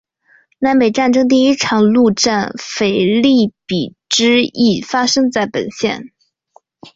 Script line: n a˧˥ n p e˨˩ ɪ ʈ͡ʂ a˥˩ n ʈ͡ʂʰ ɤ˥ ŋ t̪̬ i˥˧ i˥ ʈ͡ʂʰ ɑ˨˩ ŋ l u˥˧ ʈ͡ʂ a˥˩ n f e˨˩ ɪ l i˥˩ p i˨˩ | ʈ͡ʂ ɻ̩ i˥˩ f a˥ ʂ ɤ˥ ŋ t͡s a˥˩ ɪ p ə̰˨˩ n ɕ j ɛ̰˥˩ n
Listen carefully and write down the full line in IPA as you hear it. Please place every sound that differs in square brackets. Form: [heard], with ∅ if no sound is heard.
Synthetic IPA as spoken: n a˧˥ n p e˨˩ ɪ ʈ͡ʂ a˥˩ n [ʈ͡ʂ] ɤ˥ ŋ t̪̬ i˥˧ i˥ ʈ͡ʂʰ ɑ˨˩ ŋ l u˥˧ ʈ͡ʂ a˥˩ n f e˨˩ ɪ l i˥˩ p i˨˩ | ʈ͡ʂ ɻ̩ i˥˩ f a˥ ʂ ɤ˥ ŋ t͡s a˥˩ ɪ p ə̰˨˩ n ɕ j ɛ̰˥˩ n